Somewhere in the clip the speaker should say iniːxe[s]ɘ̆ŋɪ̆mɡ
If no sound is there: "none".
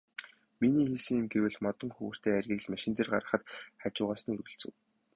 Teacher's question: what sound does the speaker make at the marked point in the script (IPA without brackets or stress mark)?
s